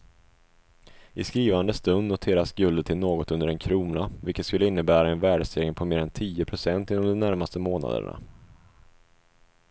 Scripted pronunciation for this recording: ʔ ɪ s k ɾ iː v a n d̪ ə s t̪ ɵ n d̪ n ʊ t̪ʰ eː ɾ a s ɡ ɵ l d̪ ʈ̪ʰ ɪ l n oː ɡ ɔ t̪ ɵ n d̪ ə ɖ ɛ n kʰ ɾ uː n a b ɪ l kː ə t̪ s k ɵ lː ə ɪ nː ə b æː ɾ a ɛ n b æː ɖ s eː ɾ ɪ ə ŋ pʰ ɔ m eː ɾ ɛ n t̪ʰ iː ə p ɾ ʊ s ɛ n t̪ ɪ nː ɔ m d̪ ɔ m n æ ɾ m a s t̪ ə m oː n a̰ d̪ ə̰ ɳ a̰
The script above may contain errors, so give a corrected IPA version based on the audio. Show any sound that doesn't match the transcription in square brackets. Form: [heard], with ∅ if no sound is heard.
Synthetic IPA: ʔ ɪ s k ɾ iː v a n d̪ ə s t̪ ɵ n d̪ n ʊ t̪ʰ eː ɾ a s ɡ ɵ l d̪ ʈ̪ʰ ɪ l n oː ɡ ɔ t̪ ɵ n d̪ ə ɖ ɛ n kʰ ɾ uː n a [v] ɪ l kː ə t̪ s k ɵ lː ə ɪ nː ə b æː ɾ a ɛ n [v] æː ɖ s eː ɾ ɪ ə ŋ pʰ ɔ m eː ɾ ɛ n t̪ʰ iː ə [pʰ] ɾ ʊ s ɛ n t̪ ɪ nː ɔ m d̪ ɔ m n æ ɾ m a s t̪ ə m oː n a̰ d̪ ə̰ ɳ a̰